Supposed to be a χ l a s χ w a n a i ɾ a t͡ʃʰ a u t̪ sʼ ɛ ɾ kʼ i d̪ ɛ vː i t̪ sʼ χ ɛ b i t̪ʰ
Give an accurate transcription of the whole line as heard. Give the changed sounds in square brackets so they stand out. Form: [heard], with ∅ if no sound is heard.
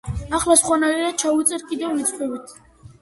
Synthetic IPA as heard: a χ l a s χ w a n a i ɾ a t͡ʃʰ a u t̪ sʼ ɛ ɾ kʼ i d̪ ɛ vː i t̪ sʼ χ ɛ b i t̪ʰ